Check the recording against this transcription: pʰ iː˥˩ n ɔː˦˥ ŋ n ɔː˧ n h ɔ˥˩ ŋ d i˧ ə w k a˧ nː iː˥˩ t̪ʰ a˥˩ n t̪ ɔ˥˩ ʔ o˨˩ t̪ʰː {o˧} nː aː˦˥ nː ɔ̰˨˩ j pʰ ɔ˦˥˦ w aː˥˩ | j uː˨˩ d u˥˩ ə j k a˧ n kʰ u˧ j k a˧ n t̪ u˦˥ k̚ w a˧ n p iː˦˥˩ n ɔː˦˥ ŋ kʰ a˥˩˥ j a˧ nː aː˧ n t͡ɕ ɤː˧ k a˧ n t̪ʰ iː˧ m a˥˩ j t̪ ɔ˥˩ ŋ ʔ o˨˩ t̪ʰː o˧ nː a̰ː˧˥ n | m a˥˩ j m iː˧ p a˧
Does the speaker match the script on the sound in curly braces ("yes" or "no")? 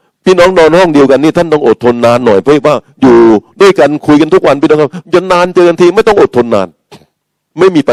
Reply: yes